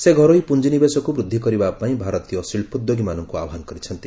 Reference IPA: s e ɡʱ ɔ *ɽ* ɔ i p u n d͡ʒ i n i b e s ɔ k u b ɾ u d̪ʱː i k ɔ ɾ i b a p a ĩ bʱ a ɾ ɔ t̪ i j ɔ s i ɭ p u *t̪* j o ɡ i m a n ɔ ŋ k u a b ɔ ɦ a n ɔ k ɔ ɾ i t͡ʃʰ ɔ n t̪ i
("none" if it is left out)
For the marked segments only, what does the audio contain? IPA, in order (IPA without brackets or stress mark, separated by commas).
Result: ɾ, d̪